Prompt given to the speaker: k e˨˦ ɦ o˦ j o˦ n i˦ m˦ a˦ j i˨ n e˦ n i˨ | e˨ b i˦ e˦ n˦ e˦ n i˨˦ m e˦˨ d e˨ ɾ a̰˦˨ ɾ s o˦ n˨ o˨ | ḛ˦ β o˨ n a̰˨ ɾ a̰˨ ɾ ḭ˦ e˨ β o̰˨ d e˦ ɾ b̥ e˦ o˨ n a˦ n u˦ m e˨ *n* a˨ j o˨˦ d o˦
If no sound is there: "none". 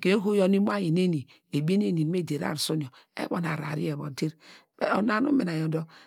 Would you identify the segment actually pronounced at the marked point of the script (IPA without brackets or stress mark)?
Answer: n